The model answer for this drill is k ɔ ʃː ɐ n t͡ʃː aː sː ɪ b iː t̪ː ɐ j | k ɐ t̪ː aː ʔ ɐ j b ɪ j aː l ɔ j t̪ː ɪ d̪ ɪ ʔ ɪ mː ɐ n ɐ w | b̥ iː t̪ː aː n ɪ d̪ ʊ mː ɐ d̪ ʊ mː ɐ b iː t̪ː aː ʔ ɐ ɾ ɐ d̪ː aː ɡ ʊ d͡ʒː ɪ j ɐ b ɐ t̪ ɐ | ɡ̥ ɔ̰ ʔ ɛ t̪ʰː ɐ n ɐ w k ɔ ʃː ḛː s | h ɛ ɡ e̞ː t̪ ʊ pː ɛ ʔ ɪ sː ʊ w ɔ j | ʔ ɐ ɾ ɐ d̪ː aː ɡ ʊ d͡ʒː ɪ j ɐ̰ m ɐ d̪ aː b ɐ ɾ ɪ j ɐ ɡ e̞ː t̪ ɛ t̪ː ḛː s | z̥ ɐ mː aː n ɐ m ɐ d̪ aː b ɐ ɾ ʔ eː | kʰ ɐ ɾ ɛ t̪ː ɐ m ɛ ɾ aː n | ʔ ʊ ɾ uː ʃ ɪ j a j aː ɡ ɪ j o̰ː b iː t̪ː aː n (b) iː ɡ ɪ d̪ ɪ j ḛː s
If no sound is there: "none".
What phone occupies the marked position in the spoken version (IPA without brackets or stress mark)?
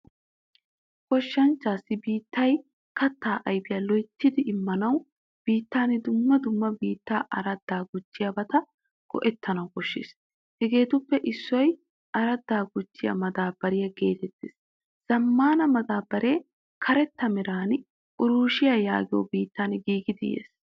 ɡ